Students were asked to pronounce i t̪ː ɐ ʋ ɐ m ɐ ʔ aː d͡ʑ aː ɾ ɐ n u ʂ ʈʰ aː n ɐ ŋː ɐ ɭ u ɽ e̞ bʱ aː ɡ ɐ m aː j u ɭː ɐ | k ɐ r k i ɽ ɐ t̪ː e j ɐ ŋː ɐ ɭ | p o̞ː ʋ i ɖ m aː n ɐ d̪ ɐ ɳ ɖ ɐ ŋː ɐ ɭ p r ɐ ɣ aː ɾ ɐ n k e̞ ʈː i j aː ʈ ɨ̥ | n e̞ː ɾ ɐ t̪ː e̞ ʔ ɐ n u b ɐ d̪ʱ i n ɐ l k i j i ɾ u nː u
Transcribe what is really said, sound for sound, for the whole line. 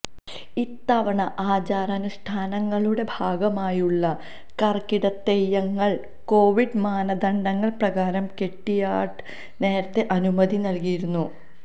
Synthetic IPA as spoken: i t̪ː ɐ ʋ ɐ ɳ ɐ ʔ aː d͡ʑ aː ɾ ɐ n u ʂ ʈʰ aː n ɐ ŋː ɐ ɭ u ɽ e̞ bʱ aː ɡ ɐ m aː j u ɭː ɐ | k ɐ r k i ɽ ɐ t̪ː e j ɐ ŋː ɐ ɭ | k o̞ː ʋ i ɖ m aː n ɐ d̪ ɐ ɳ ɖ ɐ ŋː ɐ ɭ p r ɐ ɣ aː ɾ ɐ m k e̞ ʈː i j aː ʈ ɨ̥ | n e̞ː ɾ ɐ t̪ː e̞ ʔ ɐ n u m ɐ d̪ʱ i n ɐ l k i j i ɾ u nː u

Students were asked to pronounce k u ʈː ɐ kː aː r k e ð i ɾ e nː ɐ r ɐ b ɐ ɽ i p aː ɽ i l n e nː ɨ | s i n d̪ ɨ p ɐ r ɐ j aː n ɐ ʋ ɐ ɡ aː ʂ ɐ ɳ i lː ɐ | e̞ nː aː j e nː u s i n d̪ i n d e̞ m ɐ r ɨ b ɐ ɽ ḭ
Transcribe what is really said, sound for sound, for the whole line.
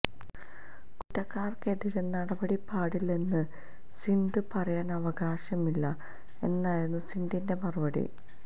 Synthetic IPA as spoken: k u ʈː ɐ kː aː r k e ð i ɾ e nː ɐ ɽ ɐ b ɐ ɽ i p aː ɽ i l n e nː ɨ | s i n d̪ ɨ p ɐ r ɐ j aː n ɐ ʋ ɐ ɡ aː ɕ ɐ m i lː ɐ | e̞ nː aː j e nː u s i n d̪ i n d e̞ m ɐ r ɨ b ɐ ɽ ḭ

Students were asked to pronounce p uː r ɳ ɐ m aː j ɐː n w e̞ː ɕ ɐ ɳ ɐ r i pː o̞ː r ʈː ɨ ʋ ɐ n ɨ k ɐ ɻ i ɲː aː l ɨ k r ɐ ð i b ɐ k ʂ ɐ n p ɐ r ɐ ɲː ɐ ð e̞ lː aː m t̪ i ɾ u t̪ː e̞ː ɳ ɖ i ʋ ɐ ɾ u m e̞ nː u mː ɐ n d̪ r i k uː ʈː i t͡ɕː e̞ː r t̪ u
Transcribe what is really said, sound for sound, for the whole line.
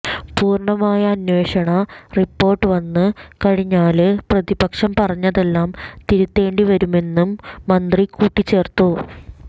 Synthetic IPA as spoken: p uː r ɳ ɐ m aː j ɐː n w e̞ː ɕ ɐ ɳ ɐ r i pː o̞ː r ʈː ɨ ʋ ɐ nː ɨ k ɐ ɻ i ɲː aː l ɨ p r ɐ ð i b ɐ k ʂ ɐ m p ɐ r ɐ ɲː ɐ ð e̞ lː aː m t̪ i ɾ u t̪ː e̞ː ɳ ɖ i ʋ ɐ ɾ u m e̞ nː u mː ɐ n d̪ r i k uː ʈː i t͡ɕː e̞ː r t̪ u

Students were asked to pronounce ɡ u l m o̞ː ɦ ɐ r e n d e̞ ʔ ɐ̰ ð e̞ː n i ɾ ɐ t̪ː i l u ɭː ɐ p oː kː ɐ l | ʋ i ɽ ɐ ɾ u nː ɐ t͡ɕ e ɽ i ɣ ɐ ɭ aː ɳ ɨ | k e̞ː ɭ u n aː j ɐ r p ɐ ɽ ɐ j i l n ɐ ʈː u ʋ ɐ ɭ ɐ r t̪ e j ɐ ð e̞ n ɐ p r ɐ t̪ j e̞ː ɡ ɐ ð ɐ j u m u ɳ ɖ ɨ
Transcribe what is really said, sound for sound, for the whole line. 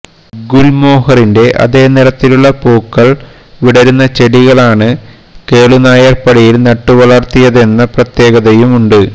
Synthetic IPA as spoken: ɡ u l m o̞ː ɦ ɐ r i n d e̞ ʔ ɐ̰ ð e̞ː n i ɾ ɐ t̪ː i l u ɭː ɐ p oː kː ɐ ɭ | ʋ i ɽ ɐ ɾ u nː ɐ t͡ɕ e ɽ i ɣ ɐ ɭ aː ɳ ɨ | k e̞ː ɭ u n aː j ɐ r p ɐ ɽ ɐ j i l n ɐ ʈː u ʋ ɐ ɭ ɐ r t̪ i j ɐ ð e̞ nː ɐ p r ɐ t̪ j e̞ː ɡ ɐ ð ɐ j u m u ɳ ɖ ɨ

